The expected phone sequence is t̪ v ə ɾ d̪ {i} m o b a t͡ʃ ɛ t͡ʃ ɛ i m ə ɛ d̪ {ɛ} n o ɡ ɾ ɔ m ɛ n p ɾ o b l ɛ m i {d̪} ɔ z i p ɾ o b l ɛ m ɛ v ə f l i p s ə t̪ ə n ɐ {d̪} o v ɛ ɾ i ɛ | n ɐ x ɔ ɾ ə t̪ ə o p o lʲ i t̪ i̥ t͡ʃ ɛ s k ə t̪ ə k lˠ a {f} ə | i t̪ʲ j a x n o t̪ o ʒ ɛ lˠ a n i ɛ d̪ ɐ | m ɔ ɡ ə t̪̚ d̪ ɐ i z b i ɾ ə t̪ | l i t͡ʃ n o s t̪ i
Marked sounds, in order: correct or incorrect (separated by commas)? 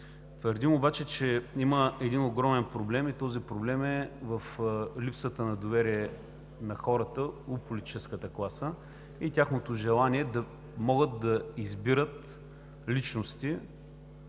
correct, incorrect, incorrect, correct, incorrect